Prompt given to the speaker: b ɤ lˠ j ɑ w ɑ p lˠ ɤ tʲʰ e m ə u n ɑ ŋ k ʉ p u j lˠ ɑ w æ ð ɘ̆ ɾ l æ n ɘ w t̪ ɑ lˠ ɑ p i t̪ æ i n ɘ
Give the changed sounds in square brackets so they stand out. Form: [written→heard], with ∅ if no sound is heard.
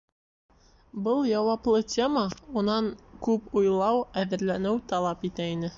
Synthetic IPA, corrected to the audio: b ɤ lˠ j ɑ w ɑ p lˠ ɤ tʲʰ e m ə u n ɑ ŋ k ʉ p u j lˠ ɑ w æ ð ɘ̆ ɾ l æ n ɘ w t̪ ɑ lˠ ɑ p i t̪ æ i n ɘ